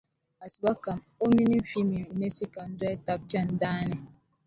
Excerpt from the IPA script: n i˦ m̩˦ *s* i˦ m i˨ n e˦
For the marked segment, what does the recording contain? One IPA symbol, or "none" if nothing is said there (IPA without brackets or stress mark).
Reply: f